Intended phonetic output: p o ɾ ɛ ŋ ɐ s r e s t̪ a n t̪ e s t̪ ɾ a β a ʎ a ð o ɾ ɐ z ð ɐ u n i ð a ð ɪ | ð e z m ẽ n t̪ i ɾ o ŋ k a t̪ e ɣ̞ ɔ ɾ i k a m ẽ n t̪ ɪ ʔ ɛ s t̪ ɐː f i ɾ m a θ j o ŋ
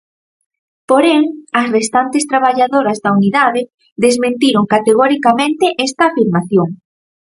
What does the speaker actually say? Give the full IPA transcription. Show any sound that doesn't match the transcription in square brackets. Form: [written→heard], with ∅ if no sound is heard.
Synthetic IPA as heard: p o ɾ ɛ ŋ ɐ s r e s t̪ a n t̪ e s t̪ ɾ a β a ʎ a ð o ɾ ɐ z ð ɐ u n i ð a ð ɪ | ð e z m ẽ n t̪ i ɾ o ŋ k a t̪ e ɣ̞ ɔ ɾ i k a m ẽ n t̪ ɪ ʔ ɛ s t̪ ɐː f i ɾ m a θ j o ŋ